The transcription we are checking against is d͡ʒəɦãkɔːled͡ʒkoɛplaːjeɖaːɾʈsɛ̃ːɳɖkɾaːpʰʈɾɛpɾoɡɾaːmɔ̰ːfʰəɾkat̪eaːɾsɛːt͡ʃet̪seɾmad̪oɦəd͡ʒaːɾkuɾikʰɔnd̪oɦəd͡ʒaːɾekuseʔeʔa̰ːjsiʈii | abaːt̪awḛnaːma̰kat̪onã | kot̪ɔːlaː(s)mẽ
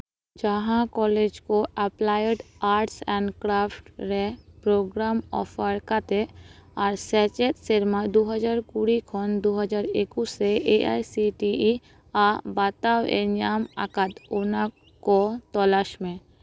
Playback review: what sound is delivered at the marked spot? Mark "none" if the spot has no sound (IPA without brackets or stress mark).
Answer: ʃ